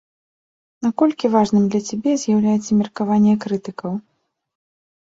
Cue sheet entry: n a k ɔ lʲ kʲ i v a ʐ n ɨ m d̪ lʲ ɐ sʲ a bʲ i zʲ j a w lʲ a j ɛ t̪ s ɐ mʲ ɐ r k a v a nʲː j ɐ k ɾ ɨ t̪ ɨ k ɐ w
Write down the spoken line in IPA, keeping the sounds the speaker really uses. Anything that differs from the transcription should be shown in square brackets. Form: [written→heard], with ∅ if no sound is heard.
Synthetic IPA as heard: n a k ɔ lʲ kʲ i v a ʐ n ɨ m d̪ lʲ ɐ [sʲ→t͡sʲ] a bʲ [i→ɛ] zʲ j a w lʲ a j ɛ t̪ s ɐ mʲ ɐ r k a v a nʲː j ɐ k ɾ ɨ t̪ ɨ k ɐ w